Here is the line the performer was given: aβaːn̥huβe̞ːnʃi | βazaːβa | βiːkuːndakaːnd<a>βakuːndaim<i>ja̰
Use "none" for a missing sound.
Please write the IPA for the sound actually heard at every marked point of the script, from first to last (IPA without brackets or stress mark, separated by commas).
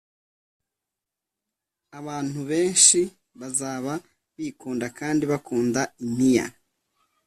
i, i